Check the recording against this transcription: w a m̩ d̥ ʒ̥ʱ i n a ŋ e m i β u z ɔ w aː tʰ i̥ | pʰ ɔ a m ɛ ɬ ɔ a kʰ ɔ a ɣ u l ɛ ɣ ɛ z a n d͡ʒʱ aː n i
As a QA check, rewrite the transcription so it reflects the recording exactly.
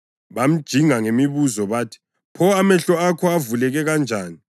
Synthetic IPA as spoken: β a m̩ d̥ ʒ̥ʱ i ŋ a ŋ e m i β u z ɔ β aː tʰ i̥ | pʰ ɔ a m ɛ ɬ ɔ a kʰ ɔ a v u l ɛ ɣ ɛ ɣ a n d͡ʒʱ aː n i